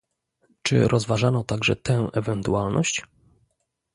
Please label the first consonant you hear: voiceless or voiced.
voiceless